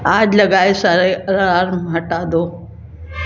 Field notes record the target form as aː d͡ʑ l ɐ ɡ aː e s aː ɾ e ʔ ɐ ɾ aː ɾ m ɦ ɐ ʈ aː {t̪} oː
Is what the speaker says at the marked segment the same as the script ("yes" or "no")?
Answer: no